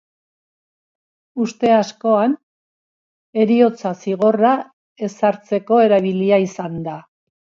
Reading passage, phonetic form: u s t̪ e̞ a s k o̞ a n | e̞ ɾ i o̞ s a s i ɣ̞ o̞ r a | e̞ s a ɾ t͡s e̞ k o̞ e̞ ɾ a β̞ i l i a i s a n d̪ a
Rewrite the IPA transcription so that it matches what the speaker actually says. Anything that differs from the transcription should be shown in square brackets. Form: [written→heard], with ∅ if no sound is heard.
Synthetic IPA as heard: u s t̪ e̞ a s k o̞ a n | e̞ ɾ i o̞ [s→t͡s] a s i ɣ̞ o̞ r a | e̞ s a ɾ t͡s e̞ k o̞ e̞ ɾ a β̞ i l i a i s a n d̪ a